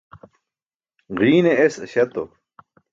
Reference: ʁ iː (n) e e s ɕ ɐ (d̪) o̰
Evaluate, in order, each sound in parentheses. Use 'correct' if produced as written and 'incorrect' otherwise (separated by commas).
correct, incorrect